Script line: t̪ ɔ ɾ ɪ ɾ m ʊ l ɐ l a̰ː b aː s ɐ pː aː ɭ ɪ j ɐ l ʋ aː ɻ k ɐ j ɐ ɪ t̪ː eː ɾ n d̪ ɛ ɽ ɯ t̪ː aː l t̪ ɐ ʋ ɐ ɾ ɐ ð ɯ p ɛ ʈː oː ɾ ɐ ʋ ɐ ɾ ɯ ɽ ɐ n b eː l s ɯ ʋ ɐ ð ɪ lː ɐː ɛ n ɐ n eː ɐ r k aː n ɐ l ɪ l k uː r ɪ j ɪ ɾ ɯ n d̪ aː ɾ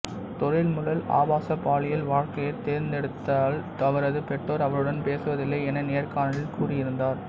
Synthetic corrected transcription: t̪ ɔ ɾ ɪ l m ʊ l ɐ l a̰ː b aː s ɐ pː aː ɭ ɪ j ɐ l ʋ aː ɻ k ɐ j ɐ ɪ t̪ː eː ɾ n d̪ ɛ ɽ ɯ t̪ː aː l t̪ ɐ ʋ ɐ ɾ ɐ ð ɯ p ɛ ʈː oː ɾ ɐ ʋ ɐ ɾ ɯ ɽ ɐ n p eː s ɯ ʋ ɐ ð ɪ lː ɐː ɛ n ɐ n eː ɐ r k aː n ɐ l ɪ l k uː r ɪ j ɪ ɾ ɯ n d̪ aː ɾ